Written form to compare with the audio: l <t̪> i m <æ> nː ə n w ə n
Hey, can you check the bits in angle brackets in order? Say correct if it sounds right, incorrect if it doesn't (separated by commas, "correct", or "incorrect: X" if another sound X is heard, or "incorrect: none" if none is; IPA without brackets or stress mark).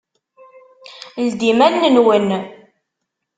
incorrect: d̪, correct